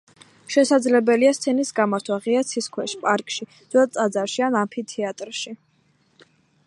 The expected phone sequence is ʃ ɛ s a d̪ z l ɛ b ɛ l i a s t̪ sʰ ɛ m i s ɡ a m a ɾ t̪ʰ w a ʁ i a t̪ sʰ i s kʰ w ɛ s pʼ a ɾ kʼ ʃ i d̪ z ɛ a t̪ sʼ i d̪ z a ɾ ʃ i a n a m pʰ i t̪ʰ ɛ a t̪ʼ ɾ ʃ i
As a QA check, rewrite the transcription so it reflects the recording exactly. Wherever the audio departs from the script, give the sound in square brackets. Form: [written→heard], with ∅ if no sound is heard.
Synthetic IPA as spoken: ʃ ɛ s a d̪ z l ɛ b ɛ l i a s t̪ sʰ ɛ [m→n] i s ɡ a m a ɾ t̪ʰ w a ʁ i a t̪ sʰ i s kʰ w ɛ [s→ʃ] pʼ a ɾ kʼ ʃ i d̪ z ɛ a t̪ sʼ [i→a] d̪ z a ɾ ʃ i a n a m pʰ i t̪ʰ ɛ a t̪ʼ ɾ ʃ i